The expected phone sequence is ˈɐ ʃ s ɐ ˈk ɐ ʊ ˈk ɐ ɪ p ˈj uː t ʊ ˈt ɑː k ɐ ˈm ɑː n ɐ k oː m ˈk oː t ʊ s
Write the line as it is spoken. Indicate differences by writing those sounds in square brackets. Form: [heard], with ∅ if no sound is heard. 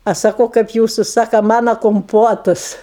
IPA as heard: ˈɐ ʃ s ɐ ˈk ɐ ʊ ˈk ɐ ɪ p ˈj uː [s] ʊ [ˈs] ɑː k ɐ ˈm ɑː n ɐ k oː m [ˈp] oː t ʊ s